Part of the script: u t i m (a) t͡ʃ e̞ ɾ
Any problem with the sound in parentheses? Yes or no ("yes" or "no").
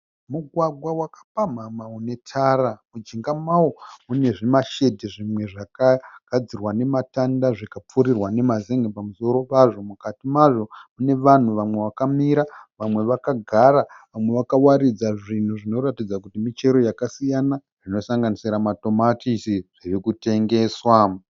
yes